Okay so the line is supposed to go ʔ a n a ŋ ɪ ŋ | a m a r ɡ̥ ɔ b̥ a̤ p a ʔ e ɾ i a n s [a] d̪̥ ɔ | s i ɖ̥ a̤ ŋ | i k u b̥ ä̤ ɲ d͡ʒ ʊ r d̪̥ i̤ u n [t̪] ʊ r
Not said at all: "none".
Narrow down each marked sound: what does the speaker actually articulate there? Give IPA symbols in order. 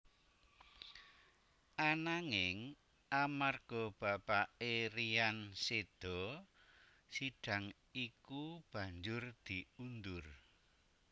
e, d̪

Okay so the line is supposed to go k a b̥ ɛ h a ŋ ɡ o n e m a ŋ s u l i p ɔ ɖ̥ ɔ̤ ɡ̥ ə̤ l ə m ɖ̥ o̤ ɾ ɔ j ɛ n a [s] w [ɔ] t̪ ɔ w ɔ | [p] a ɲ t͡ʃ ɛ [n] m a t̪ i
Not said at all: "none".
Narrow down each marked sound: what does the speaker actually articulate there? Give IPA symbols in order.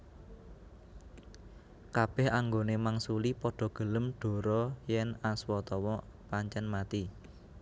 s, ɔ, p, n

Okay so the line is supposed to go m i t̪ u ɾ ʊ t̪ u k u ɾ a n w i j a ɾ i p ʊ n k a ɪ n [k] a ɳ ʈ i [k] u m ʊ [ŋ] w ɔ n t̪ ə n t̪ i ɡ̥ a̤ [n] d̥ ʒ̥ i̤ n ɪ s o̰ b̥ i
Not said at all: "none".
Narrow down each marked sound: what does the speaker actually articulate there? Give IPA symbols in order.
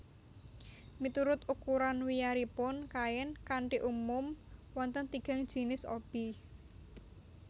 k, ʔ, m, ŋ

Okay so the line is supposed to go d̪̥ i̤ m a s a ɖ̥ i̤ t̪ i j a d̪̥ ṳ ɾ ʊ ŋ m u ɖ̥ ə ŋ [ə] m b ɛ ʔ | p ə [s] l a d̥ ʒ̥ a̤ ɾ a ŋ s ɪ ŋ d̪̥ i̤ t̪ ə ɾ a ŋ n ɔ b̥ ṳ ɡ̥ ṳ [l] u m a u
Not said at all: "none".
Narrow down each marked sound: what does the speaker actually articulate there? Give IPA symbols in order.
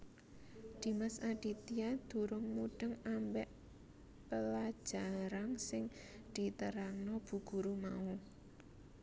a, none, ɾ

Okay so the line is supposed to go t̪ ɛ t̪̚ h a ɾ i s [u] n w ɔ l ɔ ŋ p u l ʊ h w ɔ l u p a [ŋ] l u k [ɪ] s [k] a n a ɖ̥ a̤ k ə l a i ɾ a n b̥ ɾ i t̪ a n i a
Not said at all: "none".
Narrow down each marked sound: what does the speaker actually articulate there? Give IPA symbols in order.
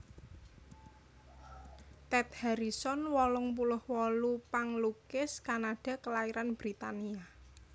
ɔ, ŋ, ɪ, k

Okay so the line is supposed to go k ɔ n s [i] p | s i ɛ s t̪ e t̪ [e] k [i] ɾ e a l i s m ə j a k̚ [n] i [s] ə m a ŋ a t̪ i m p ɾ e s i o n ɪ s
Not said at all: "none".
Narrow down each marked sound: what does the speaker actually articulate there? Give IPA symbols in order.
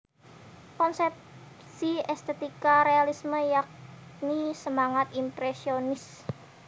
ɛ, i, a, n, s

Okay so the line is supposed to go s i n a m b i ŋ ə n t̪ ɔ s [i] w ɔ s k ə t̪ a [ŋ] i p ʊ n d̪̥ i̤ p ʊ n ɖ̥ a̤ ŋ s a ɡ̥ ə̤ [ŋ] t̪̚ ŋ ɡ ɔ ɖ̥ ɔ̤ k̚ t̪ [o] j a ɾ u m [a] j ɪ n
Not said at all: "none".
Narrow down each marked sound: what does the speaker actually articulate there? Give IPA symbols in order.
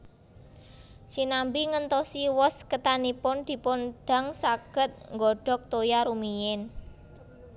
i, n, none, o, i

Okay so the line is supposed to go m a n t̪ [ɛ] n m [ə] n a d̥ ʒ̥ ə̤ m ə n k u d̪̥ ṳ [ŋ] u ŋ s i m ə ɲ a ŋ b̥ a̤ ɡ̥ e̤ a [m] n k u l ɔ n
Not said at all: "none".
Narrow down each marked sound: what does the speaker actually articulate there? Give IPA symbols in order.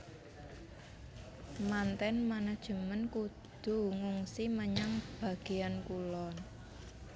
ɛ, a, ŋ, none

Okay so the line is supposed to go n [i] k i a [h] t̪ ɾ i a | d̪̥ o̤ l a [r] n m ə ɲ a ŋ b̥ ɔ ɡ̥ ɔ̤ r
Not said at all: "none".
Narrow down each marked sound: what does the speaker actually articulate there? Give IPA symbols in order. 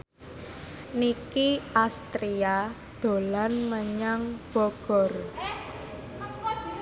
i, s, none

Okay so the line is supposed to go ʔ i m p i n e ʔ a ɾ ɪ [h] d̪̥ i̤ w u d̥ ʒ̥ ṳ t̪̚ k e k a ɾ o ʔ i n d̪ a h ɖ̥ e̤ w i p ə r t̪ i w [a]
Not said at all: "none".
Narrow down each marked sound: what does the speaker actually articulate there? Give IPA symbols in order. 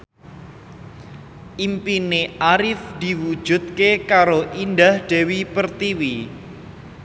f, i

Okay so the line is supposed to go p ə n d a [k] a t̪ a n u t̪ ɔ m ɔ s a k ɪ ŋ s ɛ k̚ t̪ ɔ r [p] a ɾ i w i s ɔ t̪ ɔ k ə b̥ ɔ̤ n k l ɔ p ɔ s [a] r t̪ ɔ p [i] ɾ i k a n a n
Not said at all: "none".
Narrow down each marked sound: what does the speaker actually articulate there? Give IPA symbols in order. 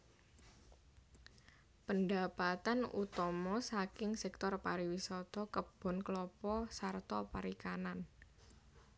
p, p, a, a

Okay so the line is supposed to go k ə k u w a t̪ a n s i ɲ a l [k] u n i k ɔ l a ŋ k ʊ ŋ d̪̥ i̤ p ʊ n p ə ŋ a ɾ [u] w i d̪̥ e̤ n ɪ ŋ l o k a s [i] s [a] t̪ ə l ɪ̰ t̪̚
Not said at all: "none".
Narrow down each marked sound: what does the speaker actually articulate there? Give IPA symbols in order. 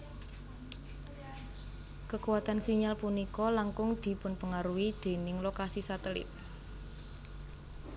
p, u, i, a

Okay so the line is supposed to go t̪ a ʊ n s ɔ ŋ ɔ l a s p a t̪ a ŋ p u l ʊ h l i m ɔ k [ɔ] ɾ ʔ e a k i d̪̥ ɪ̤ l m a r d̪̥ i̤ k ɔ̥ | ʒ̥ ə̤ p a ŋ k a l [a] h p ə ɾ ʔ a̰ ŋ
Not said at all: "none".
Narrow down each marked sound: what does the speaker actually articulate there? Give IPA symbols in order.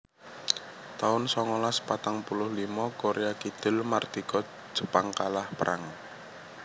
o, a

